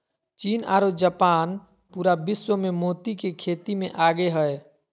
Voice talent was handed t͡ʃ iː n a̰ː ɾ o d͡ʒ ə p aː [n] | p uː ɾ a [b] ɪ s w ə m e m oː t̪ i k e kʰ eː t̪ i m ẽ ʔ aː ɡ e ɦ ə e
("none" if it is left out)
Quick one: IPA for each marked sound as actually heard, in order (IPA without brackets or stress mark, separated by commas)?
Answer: n, b